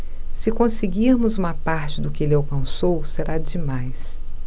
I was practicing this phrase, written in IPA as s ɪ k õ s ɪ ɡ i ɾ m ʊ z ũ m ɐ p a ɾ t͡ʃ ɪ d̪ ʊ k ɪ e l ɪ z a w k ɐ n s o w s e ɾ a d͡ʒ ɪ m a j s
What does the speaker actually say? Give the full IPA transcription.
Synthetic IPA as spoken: s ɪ k õ s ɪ ɡ i ɾ m ʊ z ũ m ɐ p a ɾ t͡ʃ ɪ d̪ ʊ k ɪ e l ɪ a w k ɐ̃ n s o w s e ɾ a d͡ʒ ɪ m a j s